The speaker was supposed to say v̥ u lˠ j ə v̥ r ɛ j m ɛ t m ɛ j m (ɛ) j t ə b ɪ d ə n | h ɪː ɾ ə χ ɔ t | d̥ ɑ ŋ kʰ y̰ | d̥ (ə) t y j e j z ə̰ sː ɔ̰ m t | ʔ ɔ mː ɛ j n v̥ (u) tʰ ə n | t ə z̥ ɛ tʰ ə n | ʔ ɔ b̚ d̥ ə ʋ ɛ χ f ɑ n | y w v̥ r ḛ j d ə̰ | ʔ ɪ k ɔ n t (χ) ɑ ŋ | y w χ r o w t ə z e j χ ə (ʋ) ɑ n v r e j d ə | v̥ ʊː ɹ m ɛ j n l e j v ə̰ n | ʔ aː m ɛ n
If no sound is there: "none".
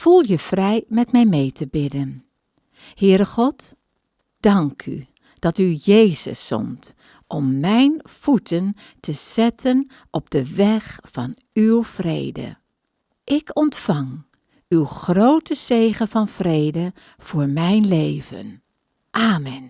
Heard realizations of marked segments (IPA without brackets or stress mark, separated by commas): e, ɑ, u, f, v